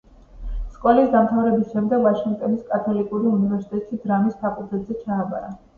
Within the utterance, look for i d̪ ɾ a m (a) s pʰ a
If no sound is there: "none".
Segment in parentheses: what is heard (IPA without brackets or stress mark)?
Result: i